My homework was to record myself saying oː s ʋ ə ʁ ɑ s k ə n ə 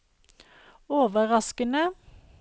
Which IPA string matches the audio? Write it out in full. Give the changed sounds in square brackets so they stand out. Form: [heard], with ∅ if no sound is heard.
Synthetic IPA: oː [∅] ʋ ə ʁ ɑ s k ə n ə